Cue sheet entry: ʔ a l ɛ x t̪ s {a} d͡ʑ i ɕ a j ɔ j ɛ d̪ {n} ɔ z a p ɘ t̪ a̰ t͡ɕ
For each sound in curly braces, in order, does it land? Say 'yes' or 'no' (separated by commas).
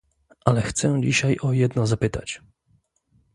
no, yes